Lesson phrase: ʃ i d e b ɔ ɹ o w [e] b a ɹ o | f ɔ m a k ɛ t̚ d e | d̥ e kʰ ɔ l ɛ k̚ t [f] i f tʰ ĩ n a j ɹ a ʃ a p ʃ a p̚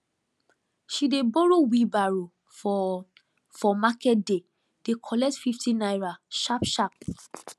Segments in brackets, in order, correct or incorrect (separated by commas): incorrect, correct